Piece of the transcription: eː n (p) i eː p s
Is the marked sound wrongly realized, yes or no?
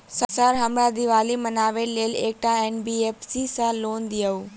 yes